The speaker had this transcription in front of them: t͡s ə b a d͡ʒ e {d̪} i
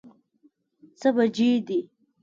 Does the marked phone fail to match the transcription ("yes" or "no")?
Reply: no